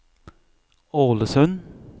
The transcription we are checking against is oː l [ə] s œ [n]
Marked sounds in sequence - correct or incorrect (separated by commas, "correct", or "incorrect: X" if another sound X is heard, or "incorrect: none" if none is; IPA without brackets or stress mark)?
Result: correct, correct